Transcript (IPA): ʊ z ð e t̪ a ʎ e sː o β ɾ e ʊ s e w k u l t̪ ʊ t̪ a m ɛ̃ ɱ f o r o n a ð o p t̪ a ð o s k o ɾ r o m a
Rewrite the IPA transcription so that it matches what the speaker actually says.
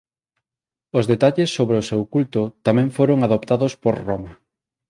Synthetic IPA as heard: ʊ z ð e t̪ a ʎ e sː o β ɾ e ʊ s e w k u l t̪ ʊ t̪ a m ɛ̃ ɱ f o ɾ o ŋ a ð o p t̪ a ð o s p o ɾ r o m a

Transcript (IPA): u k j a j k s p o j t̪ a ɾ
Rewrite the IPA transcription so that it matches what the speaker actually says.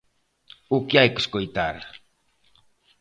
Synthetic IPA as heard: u k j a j k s k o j t̪ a ɾ

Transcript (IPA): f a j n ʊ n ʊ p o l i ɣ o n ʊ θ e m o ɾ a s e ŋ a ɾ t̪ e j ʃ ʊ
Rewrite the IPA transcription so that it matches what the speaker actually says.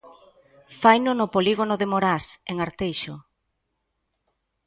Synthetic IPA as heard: f a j n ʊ n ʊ p o l i ɣ o n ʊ ð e m o ɾ a s e ŋ a ɾ t̪ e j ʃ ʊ

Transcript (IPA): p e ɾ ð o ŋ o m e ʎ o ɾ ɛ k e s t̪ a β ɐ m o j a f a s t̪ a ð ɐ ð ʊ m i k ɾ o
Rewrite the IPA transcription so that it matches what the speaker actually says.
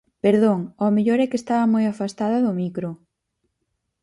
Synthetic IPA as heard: p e ɾ ð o ŋ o m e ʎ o ɾ ɛ k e s t̪ a β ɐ m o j a f a s t̪ a ð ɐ ð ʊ m i k ɾ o

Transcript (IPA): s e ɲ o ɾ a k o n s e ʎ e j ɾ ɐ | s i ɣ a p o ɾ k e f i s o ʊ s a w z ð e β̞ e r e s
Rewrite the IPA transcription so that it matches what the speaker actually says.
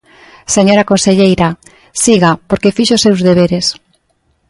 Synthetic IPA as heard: s e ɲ o ɾ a k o n s e ʎ e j ɾ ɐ | s i ɣ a p o ɾ k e f i ʃ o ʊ s e w z ð e β̞ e ɾ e s

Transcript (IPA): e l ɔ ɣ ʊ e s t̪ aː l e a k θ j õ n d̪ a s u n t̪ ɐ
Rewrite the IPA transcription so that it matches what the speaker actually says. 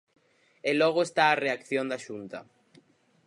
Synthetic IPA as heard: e l ɔ ɣ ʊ e s t̪ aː r e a k θ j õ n d̪ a ʃ u n t̪ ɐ

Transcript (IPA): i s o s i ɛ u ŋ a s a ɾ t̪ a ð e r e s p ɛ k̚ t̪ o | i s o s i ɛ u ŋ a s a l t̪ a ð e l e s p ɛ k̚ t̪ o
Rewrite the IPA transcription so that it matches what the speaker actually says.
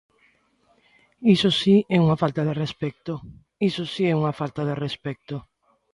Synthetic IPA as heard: i s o s i ɛ u ŋ a f a l t̪ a ð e r e s p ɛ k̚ t̪ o | i s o s i ɛ u ŋ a f a l t̪ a ð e r e s p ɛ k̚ t̪ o

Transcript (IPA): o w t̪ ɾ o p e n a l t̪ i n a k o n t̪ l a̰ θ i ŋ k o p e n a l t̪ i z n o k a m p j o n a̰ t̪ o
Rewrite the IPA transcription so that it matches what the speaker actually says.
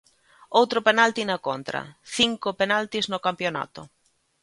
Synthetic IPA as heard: o w t̪ ɾ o p e n a l t̪ i n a k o n t̪ ɾ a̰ θ i ŋ k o p e n a l t̪ i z n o k a m p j o n a̰ t̪ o

